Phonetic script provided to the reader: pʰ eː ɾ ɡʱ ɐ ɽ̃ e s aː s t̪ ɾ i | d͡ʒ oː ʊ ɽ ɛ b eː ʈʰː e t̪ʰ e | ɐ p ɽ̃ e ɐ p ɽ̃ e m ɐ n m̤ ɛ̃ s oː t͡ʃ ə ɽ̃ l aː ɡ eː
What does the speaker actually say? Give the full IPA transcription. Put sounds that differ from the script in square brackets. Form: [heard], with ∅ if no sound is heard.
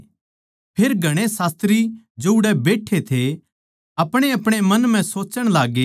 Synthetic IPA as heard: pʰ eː ɾ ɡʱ ɐ ɽ̃ e s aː s t̪ ɾ i | d͡ʒ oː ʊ ɽ ɛ b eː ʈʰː e t̪ʰ e | ɐ p ɽ̃ e ɐ p ɽ̃ e m ɐ n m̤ ɛ̃ s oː t͡ʃ ə ɽ̃ l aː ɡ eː